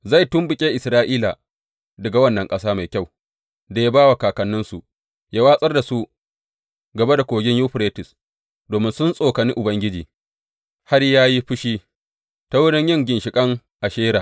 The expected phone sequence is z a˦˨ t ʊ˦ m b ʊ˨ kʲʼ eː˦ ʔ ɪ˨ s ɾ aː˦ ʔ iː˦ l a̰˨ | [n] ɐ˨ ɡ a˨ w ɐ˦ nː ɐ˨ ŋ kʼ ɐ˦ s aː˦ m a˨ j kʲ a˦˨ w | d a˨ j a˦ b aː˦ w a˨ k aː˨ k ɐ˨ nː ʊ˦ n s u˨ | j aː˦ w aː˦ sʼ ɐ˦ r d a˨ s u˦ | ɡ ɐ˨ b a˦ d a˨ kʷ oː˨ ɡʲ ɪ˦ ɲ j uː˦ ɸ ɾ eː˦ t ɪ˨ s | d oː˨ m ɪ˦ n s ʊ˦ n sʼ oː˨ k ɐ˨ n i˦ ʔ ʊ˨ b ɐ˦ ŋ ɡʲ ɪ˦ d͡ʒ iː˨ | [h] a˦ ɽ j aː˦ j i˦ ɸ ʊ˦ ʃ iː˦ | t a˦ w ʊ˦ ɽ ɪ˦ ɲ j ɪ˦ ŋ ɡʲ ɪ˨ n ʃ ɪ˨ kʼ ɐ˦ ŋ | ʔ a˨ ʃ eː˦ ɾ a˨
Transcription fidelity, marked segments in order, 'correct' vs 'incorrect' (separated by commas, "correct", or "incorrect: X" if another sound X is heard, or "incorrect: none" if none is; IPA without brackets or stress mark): incorrect: d, correct